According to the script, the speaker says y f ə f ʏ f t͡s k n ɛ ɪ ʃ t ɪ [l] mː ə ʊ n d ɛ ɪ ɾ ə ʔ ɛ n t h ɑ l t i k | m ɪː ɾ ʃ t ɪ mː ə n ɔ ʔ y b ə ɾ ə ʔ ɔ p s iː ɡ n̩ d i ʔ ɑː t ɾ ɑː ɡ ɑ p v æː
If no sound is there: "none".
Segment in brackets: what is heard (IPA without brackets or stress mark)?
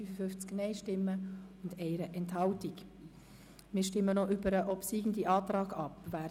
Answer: none